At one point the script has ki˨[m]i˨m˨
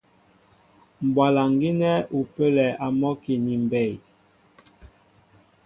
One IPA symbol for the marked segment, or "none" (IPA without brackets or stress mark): n